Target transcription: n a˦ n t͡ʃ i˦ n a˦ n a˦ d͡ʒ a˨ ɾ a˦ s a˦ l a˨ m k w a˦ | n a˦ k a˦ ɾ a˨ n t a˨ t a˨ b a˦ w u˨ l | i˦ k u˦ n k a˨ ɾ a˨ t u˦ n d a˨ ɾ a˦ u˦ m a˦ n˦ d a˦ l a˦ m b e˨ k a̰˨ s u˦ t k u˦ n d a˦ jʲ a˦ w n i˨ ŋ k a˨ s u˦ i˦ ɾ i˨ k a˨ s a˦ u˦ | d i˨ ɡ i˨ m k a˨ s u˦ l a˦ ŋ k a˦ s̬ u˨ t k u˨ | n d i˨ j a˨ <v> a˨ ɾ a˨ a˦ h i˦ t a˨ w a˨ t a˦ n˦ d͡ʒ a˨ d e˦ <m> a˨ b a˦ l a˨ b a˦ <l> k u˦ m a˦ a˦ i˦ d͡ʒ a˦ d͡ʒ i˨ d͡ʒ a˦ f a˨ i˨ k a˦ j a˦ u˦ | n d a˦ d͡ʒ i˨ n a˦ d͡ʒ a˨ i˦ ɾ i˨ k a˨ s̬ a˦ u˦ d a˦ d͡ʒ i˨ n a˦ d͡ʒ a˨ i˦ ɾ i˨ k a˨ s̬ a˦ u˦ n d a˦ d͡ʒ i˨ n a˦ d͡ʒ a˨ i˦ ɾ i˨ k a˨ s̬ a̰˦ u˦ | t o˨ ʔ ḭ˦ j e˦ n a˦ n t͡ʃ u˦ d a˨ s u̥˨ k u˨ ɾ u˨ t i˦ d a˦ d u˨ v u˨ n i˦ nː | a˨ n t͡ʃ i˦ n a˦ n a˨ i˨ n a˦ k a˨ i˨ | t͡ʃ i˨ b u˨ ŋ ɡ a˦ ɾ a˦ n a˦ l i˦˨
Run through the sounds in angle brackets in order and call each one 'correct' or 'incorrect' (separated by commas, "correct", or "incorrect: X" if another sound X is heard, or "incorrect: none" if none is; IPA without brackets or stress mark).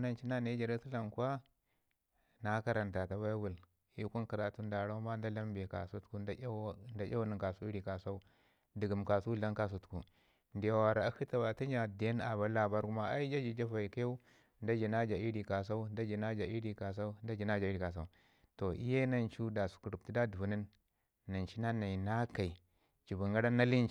incorrect: w, incorrect: n, incorrect: ɾ